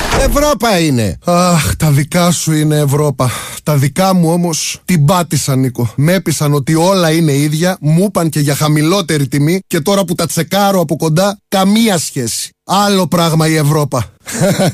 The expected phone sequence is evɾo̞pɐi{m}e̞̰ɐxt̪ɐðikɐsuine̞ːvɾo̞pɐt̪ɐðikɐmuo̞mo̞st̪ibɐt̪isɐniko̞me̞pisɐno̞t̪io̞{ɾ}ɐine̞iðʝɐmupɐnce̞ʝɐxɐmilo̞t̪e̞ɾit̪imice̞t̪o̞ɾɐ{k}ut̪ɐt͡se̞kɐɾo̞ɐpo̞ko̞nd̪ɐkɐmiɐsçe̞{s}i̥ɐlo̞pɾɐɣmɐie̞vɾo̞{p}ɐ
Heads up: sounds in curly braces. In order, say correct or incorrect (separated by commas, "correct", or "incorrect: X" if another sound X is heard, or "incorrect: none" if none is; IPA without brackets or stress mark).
incorrect: n, incorrect: l, incorrect: p, correct, correct